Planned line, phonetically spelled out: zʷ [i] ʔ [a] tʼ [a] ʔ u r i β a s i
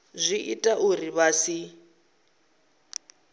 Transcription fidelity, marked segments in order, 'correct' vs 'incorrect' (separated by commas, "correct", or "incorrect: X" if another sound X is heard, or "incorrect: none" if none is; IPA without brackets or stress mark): correct, incorrect: i, correct